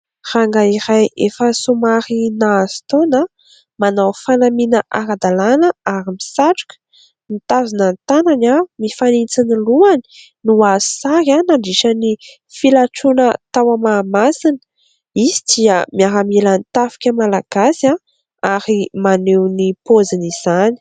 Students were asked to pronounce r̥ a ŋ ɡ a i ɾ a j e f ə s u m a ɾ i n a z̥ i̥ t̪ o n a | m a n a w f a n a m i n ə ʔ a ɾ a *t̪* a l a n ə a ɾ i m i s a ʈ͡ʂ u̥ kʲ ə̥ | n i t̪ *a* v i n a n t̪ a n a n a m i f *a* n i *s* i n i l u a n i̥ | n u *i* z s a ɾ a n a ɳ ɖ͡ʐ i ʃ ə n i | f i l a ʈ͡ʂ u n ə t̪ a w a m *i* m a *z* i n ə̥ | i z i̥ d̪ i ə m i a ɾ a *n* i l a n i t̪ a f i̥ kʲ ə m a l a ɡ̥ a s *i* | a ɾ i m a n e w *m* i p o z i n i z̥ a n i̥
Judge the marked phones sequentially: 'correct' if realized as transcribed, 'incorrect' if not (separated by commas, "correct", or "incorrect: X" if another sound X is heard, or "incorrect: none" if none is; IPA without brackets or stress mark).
incorrect: d̪, correct, correct, incorrect: t͡s, incorrect: a, incorrect: a, incorrect: s, incorrect: m, incorrect: a, incorrect: n